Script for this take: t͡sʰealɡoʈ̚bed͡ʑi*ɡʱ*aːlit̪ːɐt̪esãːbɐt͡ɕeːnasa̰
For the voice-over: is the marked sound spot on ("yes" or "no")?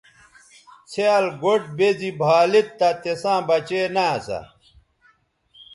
no